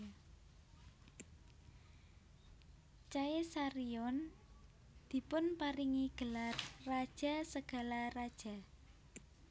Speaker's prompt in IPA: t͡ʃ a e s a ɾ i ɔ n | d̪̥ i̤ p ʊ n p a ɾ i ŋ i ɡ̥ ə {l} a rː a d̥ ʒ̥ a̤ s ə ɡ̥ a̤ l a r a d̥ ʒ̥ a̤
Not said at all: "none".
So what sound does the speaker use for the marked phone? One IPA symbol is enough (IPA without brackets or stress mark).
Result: l